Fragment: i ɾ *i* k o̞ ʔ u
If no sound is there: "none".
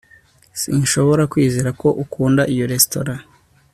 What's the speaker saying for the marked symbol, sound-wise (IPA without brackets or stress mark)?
a